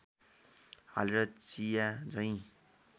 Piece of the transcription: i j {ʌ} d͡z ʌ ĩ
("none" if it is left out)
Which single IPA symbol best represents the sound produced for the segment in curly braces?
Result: a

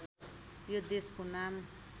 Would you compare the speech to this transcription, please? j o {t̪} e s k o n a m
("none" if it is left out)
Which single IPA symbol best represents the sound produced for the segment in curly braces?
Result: d̪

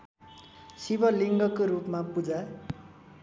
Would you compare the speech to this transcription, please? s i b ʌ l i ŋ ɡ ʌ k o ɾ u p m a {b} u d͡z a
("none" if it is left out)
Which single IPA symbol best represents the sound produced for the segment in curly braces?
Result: p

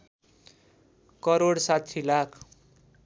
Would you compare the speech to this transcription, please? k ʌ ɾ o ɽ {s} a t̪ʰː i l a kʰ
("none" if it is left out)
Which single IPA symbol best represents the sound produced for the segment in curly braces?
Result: s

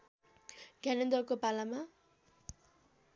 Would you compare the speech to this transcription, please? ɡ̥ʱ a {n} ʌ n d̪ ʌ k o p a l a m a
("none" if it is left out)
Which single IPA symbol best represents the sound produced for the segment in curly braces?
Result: n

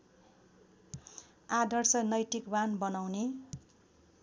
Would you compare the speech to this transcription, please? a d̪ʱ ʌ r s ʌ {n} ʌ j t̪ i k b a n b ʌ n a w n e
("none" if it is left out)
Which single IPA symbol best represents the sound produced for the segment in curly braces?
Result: n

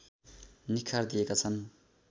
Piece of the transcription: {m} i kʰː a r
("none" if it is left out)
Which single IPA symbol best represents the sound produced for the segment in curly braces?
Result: n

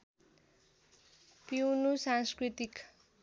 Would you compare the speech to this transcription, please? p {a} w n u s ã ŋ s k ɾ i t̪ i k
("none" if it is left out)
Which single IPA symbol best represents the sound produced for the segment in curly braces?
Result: i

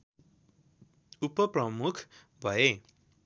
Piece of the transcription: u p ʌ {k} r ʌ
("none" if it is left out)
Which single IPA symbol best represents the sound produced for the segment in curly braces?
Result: p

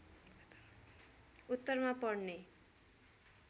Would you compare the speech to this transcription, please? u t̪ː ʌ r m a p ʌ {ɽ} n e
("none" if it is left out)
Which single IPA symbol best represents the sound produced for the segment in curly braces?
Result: ɽ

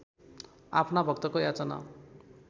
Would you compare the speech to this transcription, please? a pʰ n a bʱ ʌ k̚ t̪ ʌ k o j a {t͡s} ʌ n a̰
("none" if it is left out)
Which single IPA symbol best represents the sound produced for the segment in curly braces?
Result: t͡s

